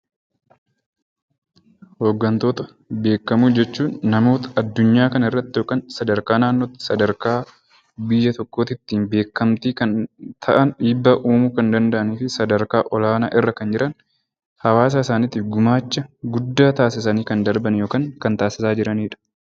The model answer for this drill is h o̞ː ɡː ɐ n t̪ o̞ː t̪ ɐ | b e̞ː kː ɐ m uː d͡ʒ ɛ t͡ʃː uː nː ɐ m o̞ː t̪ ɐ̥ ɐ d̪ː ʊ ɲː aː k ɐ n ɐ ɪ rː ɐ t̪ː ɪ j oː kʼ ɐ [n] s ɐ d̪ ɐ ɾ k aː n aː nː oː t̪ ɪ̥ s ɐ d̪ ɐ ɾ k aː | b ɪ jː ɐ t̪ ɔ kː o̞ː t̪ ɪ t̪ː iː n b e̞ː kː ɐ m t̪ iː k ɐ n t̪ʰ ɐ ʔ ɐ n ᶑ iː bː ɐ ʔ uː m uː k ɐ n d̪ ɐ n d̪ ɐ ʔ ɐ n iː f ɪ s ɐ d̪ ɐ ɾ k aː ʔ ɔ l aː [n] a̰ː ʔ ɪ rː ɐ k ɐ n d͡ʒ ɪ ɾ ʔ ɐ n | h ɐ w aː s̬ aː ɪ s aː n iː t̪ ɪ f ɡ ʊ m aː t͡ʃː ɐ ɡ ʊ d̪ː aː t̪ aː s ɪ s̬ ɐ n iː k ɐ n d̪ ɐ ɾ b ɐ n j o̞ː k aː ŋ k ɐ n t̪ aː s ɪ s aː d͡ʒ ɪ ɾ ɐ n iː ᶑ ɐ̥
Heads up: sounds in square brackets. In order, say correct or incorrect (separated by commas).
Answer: correct, correct